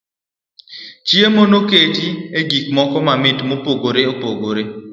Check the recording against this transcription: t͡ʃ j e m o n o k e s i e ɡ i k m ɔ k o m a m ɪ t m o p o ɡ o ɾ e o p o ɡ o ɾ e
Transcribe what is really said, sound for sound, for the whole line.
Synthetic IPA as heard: t͡ʃ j e m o n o k e t i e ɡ i k m ɔ k ɔ m a m ɪ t m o p o ɡ o ɾ e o p o ɡ o ɾ e